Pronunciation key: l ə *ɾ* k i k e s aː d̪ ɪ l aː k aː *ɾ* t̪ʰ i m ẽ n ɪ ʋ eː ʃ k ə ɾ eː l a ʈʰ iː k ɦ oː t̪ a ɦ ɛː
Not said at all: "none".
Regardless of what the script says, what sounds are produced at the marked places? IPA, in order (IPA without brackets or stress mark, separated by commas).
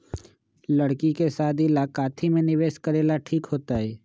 ɽ, none